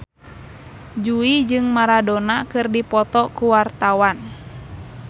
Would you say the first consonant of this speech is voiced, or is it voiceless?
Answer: voiced